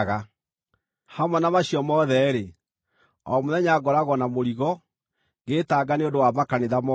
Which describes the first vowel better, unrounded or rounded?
unrounded